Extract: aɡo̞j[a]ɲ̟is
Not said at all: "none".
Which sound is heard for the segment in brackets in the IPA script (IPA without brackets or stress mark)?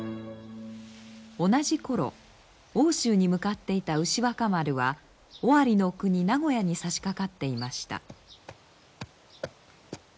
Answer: a